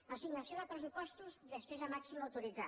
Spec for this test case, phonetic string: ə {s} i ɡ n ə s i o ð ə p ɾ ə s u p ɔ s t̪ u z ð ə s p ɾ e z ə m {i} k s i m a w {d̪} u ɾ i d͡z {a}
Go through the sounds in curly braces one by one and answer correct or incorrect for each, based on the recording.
correct, incorrect, incorrect, correct

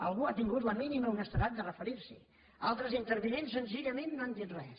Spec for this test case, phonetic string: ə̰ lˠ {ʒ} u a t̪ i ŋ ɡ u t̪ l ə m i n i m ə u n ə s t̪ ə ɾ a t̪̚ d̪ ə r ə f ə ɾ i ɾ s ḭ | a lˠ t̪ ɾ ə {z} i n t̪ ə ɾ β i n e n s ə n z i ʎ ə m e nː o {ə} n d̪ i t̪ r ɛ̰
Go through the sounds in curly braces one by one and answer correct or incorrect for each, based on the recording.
incorrect, correct, incorrect

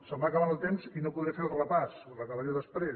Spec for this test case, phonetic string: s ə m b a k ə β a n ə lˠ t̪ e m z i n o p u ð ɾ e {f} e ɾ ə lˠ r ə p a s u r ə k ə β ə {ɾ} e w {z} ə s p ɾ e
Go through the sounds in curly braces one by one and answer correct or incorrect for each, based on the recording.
correct, correct, incorrect

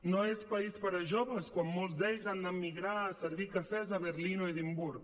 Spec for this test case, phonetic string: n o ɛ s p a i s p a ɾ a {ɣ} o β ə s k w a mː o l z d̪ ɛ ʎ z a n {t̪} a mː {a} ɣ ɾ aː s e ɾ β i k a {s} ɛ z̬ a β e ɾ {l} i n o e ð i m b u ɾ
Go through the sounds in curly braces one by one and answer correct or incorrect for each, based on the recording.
incorrect, incorrect, incorrect, incorrect, correct

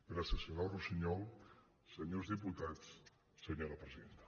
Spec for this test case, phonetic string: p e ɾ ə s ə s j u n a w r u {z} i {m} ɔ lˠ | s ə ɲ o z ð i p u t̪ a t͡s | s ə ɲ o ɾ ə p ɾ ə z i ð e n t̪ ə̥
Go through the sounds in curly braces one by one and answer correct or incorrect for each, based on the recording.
incorrect, incorrect

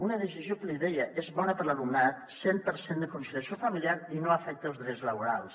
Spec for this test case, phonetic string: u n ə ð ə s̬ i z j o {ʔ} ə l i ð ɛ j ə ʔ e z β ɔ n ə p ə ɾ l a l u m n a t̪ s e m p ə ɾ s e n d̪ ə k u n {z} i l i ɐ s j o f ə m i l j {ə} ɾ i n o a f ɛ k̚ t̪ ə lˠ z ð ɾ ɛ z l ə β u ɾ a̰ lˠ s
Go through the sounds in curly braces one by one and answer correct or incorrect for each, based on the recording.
incorrect, incorrect, incorrect

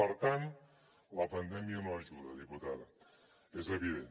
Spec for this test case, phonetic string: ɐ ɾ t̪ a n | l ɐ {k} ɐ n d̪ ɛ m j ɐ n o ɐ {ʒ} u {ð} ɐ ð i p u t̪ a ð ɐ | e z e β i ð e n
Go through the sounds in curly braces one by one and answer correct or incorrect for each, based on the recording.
incorrect, correct, correct

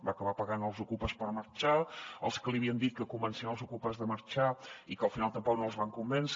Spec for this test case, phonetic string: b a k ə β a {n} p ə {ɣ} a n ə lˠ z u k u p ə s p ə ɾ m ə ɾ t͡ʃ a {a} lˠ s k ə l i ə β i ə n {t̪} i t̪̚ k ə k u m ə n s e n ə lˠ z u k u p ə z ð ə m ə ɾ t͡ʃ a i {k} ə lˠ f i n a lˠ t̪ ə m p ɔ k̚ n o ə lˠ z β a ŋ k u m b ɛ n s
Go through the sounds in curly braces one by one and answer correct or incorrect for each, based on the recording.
incorrect, correct, incorrect, incorrect, correct

